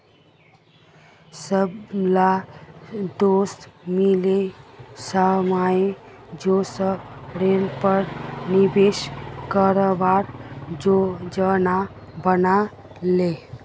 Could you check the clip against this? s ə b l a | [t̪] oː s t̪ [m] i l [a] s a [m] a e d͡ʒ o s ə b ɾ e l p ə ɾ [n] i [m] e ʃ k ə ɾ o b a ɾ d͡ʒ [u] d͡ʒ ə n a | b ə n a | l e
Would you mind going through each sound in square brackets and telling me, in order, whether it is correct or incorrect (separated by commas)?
incorrect, correct, incorrect, correct, correct, incorrect, incorrect